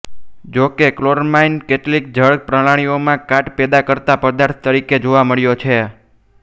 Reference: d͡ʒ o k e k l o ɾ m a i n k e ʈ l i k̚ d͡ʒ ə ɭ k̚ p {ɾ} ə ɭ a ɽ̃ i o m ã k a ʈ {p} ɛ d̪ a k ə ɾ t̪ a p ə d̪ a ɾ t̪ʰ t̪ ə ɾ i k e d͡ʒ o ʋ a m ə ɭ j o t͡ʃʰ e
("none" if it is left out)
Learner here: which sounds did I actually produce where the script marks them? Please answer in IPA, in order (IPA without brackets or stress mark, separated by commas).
ɾ, p